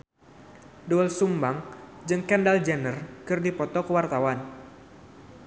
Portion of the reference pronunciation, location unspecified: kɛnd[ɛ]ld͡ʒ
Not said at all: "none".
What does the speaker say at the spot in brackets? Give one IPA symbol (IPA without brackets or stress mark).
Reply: a